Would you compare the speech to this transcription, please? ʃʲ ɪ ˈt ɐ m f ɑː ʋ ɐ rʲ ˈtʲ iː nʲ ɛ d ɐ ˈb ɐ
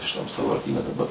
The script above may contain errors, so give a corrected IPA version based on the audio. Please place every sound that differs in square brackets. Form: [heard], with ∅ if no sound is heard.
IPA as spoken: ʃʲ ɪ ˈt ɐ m [s] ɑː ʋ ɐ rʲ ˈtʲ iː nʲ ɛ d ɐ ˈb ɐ